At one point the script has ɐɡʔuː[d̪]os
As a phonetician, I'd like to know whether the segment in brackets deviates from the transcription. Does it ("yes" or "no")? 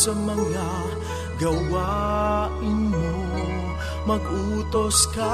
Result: yes